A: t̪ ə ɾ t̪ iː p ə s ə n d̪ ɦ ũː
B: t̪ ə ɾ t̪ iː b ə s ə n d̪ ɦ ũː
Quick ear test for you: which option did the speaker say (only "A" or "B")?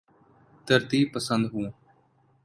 A